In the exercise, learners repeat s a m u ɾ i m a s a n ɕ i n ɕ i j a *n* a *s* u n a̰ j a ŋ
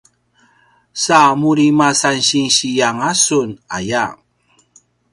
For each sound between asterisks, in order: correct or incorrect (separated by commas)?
incorrect, correct